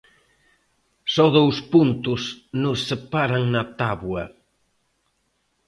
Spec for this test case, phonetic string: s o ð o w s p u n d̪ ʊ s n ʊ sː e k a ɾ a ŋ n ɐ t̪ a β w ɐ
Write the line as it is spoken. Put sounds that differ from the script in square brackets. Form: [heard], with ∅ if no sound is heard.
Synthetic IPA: s [ɔ] ð o w s p u n [t̪] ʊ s n ʊ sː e [p] a ɾ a ŋ n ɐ t̪ a β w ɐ